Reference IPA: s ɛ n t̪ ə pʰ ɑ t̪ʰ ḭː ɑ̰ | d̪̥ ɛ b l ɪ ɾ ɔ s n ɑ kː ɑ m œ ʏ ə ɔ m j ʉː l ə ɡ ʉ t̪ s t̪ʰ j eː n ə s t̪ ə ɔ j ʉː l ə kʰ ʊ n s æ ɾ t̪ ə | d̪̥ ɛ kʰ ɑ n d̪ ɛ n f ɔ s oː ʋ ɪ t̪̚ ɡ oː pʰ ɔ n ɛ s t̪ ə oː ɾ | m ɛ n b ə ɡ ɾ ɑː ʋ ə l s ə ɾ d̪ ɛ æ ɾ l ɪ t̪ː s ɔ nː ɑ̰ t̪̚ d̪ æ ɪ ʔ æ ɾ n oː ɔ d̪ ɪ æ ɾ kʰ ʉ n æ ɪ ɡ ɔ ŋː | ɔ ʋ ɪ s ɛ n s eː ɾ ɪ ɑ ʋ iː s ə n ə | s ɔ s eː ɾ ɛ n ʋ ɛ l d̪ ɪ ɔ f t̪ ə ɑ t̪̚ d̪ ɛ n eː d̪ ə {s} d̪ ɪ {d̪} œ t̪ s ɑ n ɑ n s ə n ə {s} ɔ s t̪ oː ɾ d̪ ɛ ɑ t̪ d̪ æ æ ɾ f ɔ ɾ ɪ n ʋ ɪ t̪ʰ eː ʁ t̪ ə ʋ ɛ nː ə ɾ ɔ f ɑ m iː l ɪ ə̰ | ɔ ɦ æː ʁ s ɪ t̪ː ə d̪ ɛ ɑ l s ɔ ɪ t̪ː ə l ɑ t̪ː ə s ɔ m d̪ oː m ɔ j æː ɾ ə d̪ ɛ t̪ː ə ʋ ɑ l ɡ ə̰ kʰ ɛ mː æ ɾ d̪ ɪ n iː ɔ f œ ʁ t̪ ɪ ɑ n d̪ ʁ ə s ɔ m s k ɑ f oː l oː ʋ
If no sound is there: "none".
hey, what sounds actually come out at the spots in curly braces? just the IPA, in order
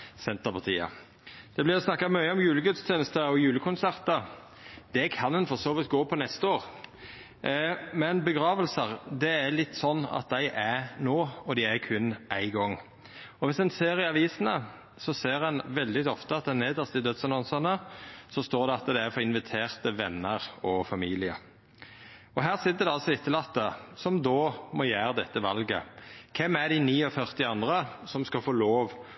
s, d̪, s

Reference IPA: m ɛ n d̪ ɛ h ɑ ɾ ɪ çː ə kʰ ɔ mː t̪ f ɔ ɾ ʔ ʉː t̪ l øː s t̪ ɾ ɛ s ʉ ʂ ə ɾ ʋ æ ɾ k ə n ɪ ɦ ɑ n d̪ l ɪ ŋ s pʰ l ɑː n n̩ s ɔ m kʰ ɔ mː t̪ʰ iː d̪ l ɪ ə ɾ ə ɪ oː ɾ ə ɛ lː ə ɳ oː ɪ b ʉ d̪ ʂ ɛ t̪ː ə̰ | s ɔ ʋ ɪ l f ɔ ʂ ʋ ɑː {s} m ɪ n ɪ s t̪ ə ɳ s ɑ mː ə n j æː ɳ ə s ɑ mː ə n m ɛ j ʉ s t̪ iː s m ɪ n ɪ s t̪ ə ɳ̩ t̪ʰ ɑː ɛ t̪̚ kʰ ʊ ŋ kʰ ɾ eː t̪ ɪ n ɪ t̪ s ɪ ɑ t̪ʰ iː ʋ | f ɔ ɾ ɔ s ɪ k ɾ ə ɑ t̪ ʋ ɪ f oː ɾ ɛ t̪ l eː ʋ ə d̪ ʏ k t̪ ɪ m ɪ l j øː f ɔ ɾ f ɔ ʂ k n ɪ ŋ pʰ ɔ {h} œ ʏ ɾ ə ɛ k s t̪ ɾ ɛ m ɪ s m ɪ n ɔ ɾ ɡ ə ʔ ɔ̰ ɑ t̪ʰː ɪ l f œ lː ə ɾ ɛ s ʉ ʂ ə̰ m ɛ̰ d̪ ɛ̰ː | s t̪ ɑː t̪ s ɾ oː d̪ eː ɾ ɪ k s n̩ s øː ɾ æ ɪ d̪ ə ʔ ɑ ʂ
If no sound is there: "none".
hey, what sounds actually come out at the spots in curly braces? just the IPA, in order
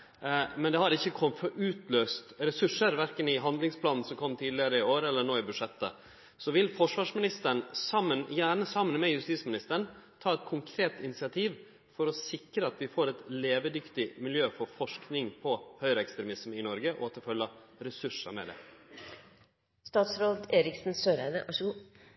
ʂ, h

